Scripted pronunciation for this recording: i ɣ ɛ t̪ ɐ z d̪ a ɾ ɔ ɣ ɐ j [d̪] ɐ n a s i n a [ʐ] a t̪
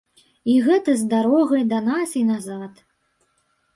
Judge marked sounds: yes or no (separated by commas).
yes, no